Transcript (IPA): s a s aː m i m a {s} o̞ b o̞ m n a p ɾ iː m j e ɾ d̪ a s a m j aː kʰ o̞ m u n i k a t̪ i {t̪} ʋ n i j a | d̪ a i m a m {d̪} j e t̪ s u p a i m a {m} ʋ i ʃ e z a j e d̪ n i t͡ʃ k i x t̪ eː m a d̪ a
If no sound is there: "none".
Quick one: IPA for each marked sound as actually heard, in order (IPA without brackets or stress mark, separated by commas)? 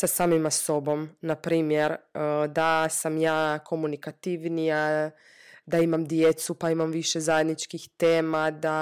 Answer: s, none, d̪, m